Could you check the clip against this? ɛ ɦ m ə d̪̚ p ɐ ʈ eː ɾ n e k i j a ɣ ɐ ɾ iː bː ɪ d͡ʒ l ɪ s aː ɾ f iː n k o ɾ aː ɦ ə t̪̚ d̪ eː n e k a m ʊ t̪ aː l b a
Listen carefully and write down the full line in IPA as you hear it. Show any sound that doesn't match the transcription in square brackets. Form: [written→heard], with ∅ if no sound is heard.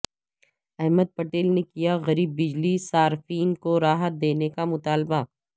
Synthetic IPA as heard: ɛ ɦ m ə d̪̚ p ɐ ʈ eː [ɾ→l] n e k i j a ɣ ɐ ɾ iː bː ɪ d͡ʒ l [ɪ→i] s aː ɾ f iː n k o ɾ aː ɦ ə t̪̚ d̪ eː n e k a m ʊ t̪ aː l b a